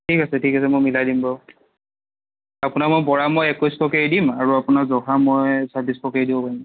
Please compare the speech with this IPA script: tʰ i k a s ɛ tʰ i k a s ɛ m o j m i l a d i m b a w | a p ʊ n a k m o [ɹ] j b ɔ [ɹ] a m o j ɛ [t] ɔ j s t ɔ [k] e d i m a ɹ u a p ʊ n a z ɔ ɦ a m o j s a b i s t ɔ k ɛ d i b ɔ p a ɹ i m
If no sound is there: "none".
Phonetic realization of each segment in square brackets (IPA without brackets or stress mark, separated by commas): none, ɹ, k, k